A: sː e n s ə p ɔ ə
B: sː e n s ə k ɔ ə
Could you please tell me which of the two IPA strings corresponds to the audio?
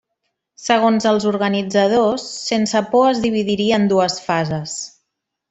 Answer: A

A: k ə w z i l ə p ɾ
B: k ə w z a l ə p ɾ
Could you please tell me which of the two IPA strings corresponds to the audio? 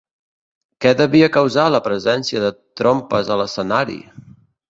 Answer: B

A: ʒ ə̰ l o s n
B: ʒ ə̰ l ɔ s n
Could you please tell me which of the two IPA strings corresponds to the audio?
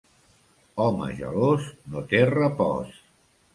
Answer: A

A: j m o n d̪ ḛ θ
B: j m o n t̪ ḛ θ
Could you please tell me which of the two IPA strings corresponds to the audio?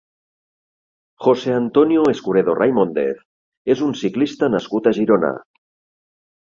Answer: A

